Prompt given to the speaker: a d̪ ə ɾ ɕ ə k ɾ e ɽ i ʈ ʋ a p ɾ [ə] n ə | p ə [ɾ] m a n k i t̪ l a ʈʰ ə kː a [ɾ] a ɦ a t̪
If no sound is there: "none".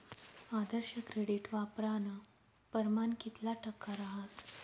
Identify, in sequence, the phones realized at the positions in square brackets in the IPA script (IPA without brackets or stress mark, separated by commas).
a, ɾ, ɾ